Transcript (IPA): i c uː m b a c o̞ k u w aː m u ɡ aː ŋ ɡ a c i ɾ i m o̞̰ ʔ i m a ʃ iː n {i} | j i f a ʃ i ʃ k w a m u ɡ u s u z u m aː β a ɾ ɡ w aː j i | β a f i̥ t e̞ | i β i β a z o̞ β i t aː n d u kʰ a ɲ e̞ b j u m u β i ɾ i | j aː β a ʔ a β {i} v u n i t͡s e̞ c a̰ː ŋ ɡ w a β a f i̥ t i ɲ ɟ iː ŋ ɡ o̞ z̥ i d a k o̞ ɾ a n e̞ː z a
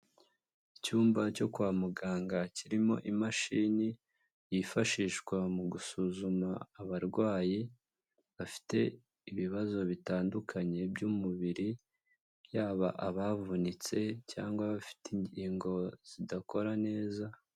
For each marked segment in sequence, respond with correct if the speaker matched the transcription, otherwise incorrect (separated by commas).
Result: correct, incorrect